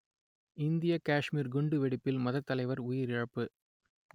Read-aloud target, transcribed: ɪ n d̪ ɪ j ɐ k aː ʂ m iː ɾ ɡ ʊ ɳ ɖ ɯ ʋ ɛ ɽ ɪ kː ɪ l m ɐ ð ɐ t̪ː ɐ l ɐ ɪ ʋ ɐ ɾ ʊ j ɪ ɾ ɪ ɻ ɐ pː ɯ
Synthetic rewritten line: ɪ n d̪ ɪ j ɐ k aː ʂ m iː ɾ ɡ ʊ ɳ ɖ ɯ ʋ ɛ ɽ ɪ pː ɪ l m ɐ ð ɐ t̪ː ɐ l ɐ ɪ ʋ ɐ ɾ ʊ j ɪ ɾ ɪ ɻ ɐ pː ɯ